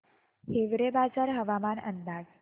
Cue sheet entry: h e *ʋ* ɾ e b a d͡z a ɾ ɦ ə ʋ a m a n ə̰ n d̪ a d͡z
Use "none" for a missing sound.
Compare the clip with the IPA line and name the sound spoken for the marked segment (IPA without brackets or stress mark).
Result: ʋ